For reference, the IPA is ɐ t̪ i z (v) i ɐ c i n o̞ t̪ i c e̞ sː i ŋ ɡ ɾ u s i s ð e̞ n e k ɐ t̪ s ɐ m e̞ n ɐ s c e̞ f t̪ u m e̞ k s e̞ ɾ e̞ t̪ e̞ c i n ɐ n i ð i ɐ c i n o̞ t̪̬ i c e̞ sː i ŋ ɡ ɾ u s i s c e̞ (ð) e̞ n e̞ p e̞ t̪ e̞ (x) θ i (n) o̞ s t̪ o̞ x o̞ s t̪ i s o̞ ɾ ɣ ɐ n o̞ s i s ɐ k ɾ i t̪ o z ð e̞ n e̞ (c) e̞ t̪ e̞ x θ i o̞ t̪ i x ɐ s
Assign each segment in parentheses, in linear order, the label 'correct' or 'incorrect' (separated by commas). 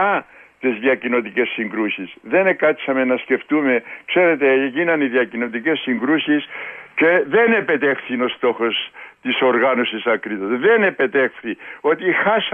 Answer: incorrect, correct, correct, correct, incorrect